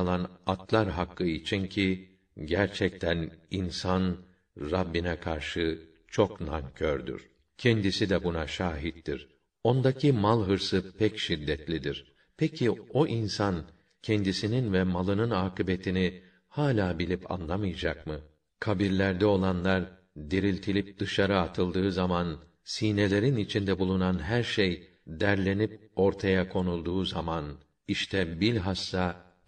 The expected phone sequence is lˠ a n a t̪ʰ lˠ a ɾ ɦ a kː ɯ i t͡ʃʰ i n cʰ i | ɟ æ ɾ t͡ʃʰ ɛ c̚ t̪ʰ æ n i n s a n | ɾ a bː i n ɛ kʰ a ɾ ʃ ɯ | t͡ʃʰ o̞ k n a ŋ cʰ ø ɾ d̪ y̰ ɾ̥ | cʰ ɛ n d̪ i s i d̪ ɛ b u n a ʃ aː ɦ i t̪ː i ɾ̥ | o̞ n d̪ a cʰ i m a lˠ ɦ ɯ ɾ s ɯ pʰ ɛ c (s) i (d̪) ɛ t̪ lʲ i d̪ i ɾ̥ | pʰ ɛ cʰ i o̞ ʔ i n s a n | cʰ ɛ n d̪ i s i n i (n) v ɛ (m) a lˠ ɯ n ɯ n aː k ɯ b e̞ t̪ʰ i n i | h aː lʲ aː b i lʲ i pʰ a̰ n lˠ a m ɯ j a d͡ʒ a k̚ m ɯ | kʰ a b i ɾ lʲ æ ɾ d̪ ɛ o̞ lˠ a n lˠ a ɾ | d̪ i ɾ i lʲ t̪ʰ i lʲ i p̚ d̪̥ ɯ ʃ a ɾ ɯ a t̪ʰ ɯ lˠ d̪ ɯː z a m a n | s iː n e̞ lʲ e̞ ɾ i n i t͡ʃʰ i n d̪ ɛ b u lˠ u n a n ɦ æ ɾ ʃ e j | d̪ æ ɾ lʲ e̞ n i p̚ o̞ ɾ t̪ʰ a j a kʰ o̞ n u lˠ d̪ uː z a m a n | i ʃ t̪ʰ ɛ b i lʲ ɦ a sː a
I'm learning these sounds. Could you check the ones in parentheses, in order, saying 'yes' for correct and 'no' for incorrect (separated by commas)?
no, no, yes, yes